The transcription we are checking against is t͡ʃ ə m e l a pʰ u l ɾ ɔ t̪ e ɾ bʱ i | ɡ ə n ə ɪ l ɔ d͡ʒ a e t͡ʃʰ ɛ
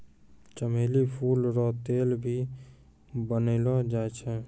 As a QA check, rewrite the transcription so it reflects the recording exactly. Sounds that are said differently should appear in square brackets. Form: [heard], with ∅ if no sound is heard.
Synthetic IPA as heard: t͡ʃ ə m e l [i] pʰ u l ɾ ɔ t̪ e [l] bʱ i | [b] ə n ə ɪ l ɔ d͡ʒ a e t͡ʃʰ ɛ